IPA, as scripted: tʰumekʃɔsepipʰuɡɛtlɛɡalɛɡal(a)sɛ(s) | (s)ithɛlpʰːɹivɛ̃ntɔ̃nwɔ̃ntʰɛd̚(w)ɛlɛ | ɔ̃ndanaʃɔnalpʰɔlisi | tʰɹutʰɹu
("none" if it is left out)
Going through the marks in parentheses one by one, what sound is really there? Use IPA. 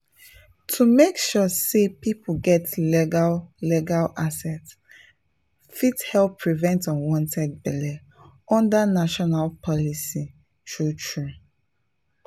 a, t, f, b

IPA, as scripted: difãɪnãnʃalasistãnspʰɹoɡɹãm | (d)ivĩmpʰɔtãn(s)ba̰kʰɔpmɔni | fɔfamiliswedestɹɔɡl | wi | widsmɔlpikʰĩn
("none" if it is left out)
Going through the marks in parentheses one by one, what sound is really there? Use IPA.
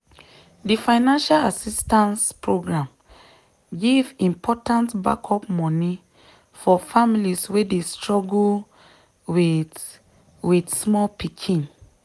ɡ, t

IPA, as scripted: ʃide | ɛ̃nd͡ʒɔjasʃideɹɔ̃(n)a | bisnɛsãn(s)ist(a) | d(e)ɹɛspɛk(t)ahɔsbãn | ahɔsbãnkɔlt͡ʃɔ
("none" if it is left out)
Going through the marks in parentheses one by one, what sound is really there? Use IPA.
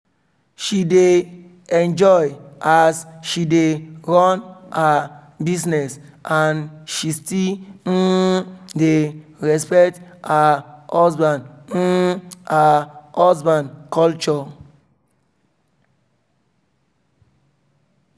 n, ʃ, i, e, t

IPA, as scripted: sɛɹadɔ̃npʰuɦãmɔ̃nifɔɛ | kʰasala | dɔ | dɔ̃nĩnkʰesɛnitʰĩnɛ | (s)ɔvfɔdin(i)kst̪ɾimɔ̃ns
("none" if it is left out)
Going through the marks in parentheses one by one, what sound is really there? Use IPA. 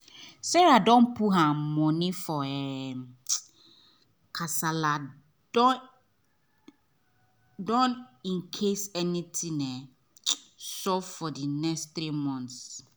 s, ɛ

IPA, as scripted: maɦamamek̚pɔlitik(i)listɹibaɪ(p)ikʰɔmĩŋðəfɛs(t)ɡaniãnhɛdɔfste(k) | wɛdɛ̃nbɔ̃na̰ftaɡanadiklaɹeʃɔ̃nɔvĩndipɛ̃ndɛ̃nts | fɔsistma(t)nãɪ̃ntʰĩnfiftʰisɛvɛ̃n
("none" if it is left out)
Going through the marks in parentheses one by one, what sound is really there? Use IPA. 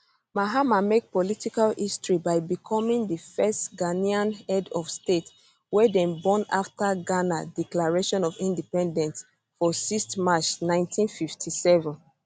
a, b, t, t, t͡ʃ

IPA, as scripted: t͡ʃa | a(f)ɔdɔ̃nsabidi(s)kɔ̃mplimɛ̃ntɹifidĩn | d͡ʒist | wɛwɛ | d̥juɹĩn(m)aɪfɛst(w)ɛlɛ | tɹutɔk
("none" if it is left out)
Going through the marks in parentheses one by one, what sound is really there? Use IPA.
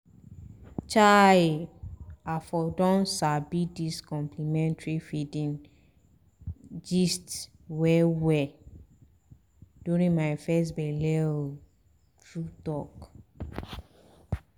f, s, m, b

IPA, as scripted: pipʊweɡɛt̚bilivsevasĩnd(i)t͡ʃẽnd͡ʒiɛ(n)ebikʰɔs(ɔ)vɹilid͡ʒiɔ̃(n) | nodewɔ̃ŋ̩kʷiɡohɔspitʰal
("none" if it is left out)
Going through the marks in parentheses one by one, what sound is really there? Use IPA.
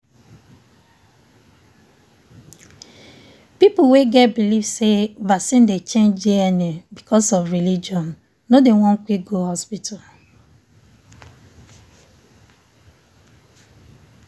e, n, ɔ, n

